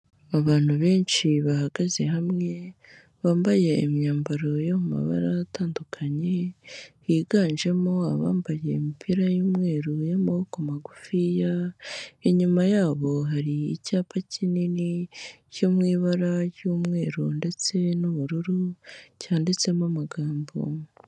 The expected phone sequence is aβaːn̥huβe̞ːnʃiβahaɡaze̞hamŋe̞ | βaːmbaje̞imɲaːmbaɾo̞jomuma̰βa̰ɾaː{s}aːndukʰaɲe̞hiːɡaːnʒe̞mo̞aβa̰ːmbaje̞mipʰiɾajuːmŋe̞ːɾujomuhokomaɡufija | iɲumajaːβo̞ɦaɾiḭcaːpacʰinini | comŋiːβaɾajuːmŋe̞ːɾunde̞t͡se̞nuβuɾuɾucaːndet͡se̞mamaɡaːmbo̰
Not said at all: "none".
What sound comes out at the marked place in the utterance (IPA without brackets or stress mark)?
t